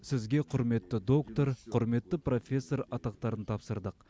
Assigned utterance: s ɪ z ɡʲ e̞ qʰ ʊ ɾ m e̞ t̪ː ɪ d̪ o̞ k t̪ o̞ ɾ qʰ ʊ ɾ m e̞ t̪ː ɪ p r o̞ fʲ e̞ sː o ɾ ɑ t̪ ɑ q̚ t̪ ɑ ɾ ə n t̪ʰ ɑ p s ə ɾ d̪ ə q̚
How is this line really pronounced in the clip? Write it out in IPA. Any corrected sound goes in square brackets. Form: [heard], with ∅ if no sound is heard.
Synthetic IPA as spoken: s ɪ z ɡʲ e̞ qʰ ʊ ɾ m e̞ t̪ː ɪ d̪ o̞ k t̪ o̞ ɾ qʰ ʊ ɾ m e̞ t̪ː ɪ p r o̞ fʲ e̞ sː o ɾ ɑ t̪ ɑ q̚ t̪ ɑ ɾ ə n t̪ʰ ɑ p s ə ɾ d̪ ə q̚